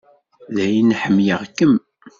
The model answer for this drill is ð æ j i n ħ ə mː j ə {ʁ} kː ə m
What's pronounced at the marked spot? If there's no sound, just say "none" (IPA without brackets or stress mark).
ʁ